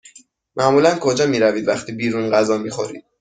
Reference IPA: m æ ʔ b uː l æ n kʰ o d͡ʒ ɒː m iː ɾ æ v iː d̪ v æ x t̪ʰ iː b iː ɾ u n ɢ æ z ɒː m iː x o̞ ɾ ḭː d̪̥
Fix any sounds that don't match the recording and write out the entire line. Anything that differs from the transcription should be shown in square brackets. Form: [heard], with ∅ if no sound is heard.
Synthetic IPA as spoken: m æ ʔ [m] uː l æ n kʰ o d͡ʒ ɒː m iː ɾ æ v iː d̪ v æ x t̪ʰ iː b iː ɾ u n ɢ æ z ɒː m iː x o̞ ɾ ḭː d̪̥